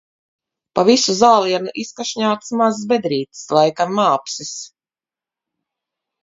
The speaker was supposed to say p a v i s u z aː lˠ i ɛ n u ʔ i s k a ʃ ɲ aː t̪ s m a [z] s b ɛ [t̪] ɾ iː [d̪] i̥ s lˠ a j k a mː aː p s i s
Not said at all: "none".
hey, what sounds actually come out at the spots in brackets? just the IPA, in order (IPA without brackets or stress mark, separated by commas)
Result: z, d̪, t̪